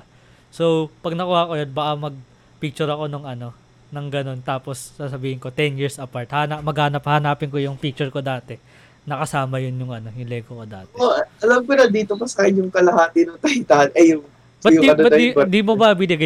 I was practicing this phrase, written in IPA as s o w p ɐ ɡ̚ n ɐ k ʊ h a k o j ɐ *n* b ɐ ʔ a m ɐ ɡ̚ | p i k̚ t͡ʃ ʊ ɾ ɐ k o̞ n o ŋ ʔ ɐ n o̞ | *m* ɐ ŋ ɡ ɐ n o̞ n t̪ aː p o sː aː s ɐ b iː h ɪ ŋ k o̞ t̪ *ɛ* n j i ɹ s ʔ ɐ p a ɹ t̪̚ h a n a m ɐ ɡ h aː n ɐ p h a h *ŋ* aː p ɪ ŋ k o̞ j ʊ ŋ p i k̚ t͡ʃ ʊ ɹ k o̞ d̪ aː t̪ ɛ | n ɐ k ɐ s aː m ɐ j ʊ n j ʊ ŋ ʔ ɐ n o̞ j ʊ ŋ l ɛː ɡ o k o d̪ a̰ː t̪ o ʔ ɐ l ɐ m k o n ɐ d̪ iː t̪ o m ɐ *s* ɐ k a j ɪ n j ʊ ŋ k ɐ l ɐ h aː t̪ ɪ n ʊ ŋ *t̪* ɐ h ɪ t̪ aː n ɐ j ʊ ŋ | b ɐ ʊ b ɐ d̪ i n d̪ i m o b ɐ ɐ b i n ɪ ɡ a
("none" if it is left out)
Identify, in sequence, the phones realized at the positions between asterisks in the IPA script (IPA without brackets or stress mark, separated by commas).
n, n, ɛ, n, s, t̪